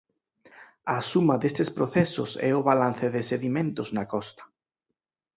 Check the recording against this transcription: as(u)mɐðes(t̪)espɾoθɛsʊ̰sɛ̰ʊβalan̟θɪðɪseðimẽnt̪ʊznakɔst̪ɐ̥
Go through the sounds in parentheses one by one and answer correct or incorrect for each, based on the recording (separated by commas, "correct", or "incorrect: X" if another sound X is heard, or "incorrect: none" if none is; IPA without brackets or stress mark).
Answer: correct, correct